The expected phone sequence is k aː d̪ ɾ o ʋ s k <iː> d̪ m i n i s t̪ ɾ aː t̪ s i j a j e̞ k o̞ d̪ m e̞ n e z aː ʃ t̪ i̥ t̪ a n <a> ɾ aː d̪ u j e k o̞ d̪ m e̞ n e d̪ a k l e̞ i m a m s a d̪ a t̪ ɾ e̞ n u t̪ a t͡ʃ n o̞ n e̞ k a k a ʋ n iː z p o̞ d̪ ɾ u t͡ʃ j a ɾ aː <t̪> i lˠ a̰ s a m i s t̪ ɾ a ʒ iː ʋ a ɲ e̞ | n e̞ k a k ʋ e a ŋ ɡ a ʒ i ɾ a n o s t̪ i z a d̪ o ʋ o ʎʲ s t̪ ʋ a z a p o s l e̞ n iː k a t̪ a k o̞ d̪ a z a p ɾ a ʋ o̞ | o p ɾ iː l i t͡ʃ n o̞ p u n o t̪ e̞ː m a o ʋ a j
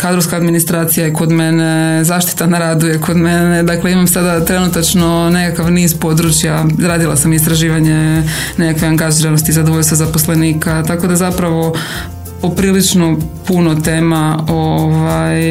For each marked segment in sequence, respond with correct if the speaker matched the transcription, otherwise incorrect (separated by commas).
incorrect, correct, incorrect